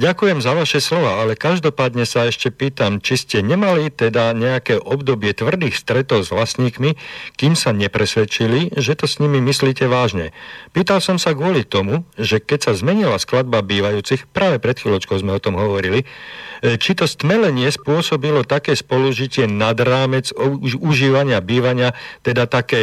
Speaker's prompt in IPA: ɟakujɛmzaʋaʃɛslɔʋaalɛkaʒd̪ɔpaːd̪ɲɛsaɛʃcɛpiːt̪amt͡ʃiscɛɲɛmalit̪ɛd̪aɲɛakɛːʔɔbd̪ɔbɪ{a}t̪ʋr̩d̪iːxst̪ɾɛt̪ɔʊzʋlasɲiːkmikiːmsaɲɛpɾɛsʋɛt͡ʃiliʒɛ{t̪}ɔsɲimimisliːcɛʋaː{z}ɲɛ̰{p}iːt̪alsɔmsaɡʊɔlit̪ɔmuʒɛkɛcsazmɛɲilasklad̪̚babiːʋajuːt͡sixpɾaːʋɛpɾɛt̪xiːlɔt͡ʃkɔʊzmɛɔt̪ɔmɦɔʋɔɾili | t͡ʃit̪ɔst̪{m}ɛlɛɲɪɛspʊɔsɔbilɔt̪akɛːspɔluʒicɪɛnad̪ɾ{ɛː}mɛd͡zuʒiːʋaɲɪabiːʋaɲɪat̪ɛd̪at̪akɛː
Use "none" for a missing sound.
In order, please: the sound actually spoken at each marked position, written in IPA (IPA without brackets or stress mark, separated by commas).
ɛ, t̪, ʒ, p, m, aː